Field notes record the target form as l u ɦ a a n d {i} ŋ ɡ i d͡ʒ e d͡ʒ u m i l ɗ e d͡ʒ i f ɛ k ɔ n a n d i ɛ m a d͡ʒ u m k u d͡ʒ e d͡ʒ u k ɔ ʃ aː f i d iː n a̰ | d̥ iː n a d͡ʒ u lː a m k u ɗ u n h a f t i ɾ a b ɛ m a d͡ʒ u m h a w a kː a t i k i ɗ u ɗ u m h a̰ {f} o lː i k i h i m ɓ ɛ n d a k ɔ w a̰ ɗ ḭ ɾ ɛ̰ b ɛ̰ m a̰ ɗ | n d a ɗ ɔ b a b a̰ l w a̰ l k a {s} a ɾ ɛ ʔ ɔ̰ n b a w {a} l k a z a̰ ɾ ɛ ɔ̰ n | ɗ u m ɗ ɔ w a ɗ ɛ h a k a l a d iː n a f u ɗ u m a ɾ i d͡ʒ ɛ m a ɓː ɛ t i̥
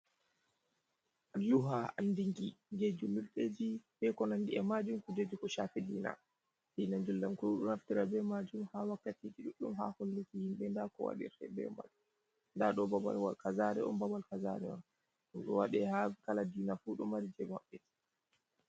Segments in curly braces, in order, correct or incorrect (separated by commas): correct, incorrect, incorrect, correct